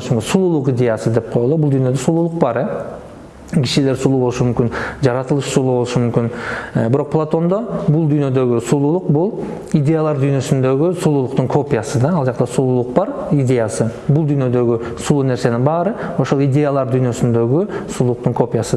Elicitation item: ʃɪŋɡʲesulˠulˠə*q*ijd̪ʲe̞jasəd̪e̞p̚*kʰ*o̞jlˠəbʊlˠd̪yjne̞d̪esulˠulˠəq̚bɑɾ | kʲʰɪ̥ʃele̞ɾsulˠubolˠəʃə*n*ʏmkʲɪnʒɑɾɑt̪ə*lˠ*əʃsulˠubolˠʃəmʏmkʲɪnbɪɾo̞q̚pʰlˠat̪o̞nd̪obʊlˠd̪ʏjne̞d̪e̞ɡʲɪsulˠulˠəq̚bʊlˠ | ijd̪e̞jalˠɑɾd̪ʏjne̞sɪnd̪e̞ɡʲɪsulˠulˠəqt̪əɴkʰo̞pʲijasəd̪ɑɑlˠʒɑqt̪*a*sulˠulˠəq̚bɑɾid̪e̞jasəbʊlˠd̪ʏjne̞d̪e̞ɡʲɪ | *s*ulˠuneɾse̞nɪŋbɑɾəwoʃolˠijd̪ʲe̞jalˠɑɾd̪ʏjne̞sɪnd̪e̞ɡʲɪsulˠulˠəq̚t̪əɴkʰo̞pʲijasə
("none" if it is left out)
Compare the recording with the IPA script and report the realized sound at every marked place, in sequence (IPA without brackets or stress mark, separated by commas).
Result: q, qʰ, m, lˠ, ɑ, s